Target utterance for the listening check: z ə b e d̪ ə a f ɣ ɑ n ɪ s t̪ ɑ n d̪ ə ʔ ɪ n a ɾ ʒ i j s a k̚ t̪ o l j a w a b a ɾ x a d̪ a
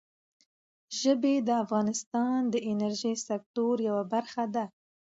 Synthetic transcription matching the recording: ʒ ə b e d̪ ə a f ɣ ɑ n ɪ s t̪ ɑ n d̪ ə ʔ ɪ n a ɾ ʒ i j s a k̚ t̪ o ɾ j a w a b a ɾ x a d̪ a